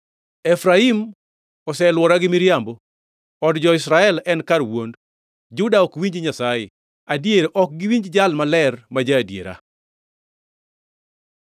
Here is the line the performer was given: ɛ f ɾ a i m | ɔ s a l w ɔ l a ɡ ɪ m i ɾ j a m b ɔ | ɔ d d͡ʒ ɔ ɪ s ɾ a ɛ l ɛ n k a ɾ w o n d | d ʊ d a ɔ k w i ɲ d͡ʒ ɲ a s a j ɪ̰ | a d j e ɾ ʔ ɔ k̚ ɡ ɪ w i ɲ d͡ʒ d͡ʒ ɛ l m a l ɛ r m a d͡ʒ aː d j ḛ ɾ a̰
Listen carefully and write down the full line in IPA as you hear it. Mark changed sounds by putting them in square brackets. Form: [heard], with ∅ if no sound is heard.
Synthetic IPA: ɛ f ɾ a i m | ɔ s [ɛ] l w ɔ [ɾ] a ɡ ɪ m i ɾ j a m b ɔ | ɔ d d͡ʒ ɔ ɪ s ɾ a ɛ l ɛ n k a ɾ w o n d | [d͡ʒ] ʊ d a ɔ k w i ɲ d͡ʒ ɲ a s a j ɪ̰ | a d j e ɾ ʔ ɔ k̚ ɡ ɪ w i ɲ d͡ʒ d͡ʒ [a] l m a l ɛ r m a d͡ʒ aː d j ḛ ɾ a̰